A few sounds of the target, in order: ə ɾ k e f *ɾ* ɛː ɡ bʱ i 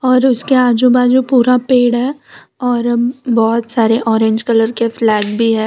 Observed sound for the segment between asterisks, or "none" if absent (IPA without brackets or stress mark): l